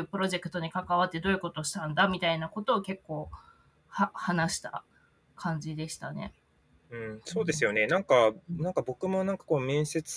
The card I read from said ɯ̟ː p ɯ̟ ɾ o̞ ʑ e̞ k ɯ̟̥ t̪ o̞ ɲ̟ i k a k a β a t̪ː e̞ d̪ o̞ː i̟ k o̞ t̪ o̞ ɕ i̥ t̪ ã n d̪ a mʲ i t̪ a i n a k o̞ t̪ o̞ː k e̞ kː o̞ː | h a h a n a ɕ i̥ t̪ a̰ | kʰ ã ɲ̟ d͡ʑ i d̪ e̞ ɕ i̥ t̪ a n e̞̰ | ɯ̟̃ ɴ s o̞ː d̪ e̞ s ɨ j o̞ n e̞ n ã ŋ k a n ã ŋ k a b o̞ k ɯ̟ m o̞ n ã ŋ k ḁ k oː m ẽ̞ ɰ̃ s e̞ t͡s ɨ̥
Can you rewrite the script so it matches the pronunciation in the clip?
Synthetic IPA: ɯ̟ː p ɯ̟ ɾ o̞ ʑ e̞ k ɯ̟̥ t̪ o̞ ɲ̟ i k a k a β a t̪ː e̞ d̪ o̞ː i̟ k o̞ t̪ o̞ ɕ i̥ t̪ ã n d̪ a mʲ i t̪ a i n a k o̞ t̪ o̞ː k e̞ kː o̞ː | h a h a n a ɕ i̥ t̪ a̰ | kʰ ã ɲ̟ d͡ʑ i d̪ e̞ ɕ i̥ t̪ a n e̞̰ | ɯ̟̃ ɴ s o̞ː d̪ e̞ s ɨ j o̞ n e̞ n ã ŋ k a n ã ŋ k a b o̞ k ɯ̟ m o̞ n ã ŋ k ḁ k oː m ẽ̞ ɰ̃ s e̞ t͡s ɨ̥